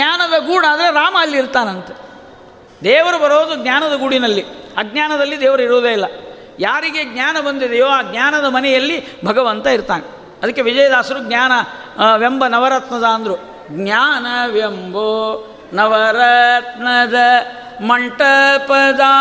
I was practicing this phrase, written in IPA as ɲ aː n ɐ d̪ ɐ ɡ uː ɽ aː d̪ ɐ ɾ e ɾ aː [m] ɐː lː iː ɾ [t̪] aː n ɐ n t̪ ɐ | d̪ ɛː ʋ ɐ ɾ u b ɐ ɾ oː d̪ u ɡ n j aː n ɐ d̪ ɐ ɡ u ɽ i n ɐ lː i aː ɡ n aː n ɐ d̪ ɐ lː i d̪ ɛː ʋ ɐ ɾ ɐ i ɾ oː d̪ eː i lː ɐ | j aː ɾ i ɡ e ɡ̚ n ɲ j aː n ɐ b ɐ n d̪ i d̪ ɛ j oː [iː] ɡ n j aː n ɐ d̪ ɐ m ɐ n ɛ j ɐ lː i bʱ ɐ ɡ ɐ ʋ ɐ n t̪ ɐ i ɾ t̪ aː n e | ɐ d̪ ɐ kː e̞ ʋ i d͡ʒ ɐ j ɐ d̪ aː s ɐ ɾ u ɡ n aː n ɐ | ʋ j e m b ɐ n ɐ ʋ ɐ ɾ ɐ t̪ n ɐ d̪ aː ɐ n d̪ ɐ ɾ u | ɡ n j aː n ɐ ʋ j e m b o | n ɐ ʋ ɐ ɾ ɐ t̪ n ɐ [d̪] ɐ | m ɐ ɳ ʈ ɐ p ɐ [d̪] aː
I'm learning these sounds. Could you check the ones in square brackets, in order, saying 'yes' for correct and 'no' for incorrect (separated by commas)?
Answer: yes, yes, no, yes, yes